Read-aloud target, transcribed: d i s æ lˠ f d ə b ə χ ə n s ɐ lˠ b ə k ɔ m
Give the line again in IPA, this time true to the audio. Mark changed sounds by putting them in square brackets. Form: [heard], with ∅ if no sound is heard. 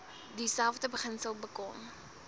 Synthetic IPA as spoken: d i s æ lˠ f d ə b ə χ ə n s [ə] lˠ b ə k ɔ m